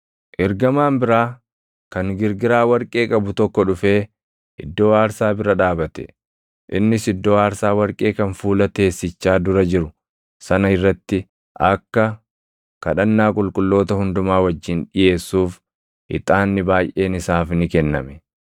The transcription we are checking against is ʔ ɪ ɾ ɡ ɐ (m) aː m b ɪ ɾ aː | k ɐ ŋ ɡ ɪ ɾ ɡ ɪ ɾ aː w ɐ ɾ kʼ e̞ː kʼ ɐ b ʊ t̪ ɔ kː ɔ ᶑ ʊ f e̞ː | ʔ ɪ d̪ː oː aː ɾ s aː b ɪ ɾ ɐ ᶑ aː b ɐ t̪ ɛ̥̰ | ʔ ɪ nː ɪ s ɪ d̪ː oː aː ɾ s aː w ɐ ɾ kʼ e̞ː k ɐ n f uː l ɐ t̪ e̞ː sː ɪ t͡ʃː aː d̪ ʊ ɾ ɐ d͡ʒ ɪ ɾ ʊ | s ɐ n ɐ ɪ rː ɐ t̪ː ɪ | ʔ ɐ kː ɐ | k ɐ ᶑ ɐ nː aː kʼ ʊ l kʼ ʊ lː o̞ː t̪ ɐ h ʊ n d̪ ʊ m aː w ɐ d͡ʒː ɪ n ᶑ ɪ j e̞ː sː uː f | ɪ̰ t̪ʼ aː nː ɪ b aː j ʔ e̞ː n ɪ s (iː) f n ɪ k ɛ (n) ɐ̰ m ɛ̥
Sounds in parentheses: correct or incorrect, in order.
correct, incorrect, incorrect

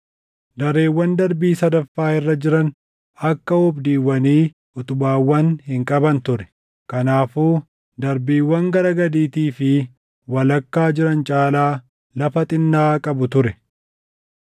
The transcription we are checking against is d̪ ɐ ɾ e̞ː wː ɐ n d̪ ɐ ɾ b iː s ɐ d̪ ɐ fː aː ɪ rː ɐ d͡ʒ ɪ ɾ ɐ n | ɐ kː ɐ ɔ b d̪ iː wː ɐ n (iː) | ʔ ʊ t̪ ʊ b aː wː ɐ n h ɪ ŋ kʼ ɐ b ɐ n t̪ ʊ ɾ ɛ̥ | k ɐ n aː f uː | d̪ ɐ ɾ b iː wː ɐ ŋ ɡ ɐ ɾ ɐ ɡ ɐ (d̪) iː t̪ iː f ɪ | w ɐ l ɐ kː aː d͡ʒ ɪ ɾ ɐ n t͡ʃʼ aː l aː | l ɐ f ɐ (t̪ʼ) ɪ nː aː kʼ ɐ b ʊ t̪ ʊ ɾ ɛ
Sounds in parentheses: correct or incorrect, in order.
correct, correct, correct

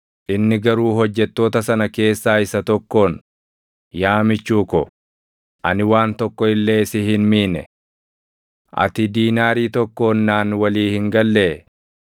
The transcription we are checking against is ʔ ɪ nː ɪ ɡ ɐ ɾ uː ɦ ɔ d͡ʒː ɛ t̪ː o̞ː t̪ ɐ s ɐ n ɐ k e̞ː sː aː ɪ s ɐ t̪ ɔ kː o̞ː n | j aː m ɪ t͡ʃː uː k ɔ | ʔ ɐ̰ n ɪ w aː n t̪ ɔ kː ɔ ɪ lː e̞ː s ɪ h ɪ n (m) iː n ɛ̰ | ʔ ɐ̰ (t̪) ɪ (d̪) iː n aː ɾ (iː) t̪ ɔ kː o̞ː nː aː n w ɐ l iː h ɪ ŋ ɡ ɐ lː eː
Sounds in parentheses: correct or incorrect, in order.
correct, correct, correct, correct

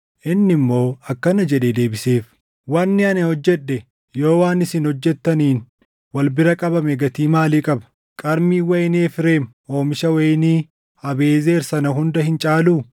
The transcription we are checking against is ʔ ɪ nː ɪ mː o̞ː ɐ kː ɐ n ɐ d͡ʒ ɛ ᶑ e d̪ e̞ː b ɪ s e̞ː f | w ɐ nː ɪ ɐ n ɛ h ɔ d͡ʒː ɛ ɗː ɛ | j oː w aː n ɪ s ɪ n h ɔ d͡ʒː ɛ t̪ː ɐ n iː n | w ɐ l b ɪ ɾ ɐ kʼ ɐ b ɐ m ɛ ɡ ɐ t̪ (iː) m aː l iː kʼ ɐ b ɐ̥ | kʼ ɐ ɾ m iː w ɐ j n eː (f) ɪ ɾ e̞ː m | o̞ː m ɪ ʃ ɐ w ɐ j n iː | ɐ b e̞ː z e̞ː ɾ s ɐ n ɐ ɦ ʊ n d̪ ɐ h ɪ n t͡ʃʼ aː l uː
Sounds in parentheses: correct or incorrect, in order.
correct, correct

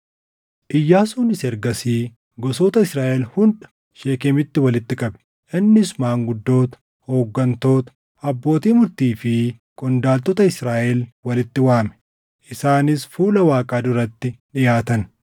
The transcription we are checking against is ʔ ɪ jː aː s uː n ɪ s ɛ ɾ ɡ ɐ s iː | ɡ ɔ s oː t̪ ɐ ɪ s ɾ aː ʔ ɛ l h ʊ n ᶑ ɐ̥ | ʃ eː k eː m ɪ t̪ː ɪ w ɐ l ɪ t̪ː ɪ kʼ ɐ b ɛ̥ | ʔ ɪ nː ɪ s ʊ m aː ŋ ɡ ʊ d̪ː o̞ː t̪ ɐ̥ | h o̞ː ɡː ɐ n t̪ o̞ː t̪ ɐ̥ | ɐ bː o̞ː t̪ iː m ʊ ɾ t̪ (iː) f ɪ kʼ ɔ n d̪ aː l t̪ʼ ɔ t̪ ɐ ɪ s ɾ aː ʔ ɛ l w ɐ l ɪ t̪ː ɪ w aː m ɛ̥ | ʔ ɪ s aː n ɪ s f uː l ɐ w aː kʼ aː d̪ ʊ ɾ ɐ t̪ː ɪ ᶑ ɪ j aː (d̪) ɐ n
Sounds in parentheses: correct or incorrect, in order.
correct, incorrect

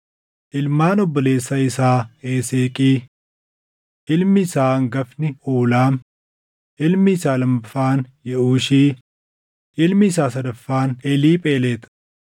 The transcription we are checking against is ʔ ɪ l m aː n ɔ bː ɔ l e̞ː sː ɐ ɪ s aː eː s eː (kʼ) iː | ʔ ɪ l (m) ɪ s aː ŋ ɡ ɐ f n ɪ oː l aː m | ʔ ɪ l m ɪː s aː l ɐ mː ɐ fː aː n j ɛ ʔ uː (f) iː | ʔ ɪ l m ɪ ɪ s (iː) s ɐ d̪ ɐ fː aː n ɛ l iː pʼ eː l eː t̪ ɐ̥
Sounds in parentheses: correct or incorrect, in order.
correct, correct, incorrect, incorrect

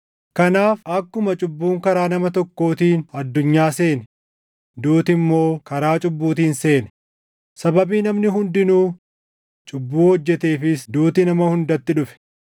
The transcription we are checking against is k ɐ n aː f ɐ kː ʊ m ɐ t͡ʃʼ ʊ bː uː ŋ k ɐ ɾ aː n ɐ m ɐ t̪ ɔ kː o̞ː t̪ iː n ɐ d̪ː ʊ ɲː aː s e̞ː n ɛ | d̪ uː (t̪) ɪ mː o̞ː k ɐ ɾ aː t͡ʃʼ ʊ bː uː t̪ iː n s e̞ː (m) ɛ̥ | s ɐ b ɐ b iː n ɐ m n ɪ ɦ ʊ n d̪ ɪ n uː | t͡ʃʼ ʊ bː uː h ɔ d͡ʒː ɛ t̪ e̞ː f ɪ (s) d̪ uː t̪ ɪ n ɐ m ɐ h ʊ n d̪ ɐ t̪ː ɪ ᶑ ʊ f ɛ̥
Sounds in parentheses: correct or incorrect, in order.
correct, incorrect, correct

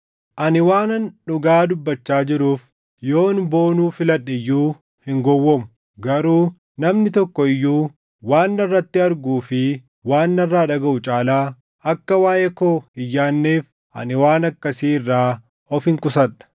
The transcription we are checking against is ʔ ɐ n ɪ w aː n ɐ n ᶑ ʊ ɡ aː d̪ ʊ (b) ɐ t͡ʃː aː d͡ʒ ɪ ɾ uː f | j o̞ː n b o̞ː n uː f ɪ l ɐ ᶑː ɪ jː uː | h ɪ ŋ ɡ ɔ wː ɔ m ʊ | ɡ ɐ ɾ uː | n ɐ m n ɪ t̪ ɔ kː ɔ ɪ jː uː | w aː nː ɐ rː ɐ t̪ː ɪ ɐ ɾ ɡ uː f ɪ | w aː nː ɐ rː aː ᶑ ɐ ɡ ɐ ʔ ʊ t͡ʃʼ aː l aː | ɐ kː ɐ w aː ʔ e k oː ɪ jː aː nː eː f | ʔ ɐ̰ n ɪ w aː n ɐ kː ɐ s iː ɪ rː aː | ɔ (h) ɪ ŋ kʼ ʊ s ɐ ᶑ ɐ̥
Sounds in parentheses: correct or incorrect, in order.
incorrect, incorrect

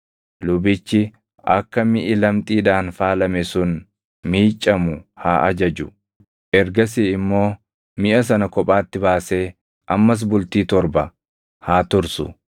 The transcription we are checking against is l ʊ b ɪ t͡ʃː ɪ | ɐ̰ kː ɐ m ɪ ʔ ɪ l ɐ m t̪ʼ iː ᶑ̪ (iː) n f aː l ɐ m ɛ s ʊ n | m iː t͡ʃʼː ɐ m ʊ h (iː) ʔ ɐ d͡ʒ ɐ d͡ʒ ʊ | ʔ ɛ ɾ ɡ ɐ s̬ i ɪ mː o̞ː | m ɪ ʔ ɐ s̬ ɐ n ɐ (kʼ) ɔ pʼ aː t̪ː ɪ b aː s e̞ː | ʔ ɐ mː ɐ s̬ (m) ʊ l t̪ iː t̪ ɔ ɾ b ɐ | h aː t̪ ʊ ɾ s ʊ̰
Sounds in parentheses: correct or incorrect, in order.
incorrect, incorrect, incorrect, incorrect

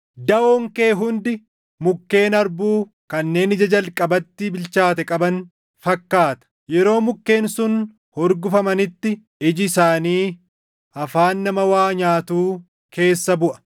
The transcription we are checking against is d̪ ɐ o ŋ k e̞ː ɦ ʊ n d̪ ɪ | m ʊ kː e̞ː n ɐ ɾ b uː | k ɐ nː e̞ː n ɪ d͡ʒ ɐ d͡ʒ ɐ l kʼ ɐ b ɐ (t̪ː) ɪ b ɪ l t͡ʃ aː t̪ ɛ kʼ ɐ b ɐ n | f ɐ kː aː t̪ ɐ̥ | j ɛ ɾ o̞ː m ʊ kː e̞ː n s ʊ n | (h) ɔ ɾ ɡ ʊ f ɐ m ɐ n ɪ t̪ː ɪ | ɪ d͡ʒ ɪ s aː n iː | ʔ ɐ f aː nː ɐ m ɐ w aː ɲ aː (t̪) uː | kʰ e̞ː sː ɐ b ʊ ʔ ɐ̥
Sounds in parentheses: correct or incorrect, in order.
correct, correct, correct

